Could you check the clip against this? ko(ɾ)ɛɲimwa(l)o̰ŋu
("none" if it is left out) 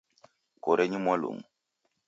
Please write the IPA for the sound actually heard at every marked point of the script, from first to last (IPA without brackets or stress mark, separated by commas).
ɾ, l